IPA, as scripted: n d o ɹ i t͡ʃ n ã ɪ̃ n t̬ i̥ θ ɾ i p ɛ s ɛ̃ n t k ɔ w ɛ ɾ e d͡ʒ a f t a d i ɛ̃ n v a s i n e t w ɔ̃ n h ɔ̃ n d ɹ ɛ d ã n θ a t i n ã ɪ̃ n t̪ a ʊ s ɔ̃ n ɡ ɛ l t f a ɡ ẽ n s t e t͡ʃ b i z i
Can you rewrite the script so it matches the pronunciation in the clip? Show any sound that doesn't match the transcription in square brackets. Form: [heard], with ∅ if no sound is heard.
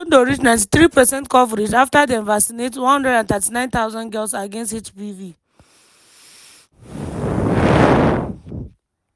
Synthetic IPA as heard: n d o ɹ i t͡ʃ n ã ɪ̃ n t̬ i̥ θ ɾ i p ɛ s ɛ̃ n t k ɔ [v] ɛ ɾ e d͡ʒ a f t a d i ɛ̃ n v a s i n e t w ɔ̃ n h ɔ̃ n d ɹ ɛ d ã n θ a t i n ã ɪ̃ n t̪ a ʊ [z] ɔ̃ n ɡ ɛ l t [s] a ɡ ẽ n s t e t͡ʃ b i [v] i